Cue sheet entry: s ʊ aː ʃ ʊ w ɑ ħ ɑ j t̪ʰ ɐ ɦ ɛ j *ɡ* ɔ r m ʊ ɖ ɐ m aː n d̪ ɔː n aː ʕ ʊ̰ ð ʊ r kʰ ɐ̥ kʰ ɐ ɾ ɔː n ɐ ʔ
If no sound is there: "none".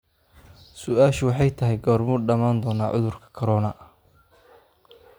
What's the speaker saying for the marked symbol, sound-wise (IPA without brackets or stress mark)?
ɡ